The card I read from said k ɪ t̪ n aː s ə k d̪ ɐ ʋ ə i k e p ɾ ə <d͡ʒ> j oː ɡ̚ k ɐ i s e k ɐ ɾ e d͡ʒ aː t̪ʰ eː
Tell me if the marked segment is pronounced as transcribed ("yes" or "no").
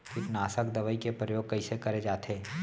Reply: no